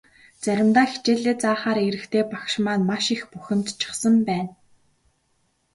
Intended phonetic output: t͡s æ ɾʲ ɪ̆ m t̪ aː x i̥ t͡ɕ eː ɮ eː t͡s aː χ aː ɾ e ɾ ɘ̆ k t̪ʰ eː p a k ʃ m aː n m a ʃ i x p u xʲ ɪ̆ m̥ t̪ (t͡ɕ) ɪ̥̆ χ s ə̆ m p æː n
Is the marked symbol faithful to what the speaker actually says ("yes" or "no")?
no